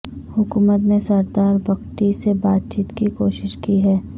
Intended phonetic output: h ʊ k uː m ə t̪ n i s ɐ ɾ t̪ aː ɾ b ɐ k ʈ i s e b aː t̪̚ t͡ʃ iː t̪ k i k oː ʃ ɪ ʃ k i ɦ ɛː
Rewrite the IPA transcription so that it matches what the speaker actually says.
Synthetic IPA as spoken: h ʊ k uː m ə t̪ n e s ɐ ɾ d̪ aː ɾ b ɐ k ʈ i s e b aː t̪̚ t͡ʃ iː t̪ k i k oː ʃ ɪ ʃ k i ɦ ɛː